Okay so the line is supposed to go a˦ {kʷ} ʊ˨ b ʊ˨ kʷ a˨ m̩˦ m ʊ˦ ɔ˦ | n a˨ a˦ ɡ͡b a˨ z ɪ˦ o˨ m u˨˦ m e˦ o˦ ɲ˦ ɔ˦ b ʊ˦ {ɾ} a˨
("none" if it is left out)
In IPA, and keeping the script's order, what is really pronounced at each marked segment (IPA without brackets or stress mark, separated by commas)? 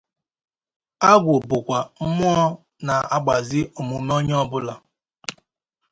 ɡʷ, l